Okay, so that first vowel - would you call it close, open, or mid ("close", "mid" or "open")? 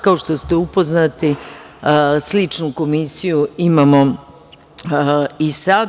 open